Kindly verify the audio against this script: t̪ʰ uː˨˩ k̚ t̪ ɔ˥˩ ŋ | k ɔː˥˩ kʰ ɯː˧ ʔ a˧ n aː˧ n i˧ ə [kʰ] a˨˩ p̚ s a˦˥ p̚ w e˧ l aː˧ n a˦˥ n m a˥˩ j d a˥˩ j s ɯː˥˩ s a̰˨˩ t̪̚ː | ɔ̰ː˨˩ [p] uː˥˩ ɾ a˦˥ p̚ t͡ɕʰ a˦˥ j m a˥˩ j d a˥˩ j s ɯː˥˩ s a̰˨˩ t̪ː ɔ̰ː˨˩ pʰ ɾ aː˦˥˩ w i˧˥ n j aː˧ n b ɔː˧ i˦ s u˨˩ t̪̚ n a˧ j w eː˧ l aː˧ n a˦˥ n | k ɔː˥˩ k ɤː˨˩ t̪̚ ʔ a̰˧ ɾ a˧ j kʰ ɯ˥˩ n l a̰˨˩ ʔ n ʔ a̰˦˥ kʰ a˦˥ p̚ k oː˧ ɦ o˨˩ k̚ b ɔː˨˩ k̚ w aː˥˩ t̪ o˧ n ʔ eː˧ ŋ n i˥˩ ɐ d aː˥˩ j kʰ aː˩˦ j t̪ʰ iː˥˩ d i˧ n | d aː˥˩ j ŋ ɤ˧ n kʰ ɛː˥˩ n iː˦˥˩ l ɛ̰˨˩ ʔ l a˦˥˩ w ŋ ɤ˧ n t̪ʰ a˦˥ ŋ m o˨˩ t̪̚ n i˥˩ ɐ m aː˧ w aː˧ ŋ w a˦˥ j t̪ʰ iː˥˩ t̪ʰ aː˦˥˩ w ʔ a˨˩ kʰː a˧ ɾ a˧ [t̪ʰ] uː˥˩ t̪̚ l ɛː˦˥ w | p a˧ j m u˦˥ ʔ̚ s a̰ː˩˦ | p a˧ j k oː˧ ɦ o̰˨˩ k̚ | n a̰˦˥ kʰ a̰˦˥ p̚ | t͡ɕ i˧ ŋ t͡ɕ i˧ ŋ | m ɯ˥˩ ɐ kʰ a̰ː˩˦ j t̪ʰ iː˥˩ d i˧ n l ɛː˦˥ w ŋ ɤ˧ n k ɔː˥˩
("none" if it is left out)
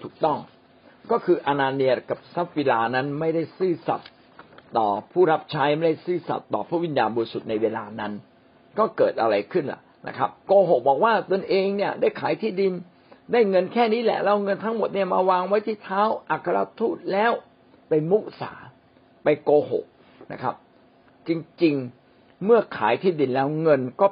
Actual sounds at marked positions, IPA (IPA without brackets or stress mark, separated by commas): k, pʰ, t̪ʰ